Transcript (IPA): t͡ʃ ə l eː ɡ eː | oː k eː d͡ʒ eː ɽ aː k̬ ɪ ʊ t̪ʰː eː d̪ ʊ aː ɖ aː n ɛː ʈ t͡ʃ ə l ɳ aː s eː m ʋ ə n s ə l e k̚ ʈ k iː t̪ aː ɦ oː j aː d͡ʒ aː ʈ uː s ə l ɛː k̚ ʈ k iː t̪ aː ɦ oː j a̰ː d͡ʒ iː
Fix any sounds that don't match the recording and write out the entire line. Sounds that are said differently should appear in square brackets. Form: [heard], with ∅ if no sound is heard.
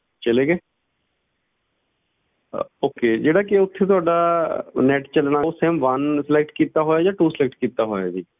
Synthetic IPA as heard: t͡ʃ ə l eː ɡ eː | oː k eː d͡ʒ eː ɽ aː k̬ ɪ ʊ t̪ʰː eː [t̪] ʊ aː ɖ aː n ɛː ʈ t͡ʃ ə l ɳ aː s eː m ʋ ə n s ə l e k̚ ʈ k iː t̪ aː ɦ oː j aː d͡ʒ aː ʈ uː s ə l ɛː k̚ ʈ k iː t̪ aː ɦ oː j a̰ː d͡ʒ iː